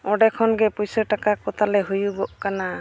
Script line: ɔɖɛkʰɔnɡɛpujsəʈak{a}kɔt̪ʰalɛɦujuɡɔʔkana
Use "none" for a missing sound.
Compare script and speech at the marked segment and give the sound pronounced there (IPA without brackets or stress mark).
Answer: a